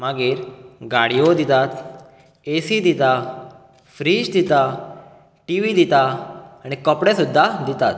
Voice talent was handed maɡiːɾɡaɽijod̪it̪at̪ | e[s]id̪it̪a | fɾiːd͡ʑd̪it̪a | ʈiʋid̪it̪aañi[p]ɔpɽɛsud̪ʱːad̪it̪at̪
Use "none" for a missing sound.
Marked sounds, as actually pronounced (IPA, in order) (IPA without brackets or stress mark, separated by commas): s, k